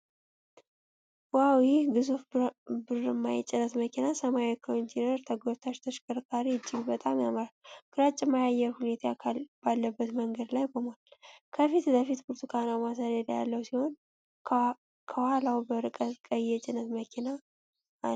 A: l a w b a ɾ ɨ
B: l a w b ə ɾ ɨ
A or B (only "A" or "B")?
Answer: B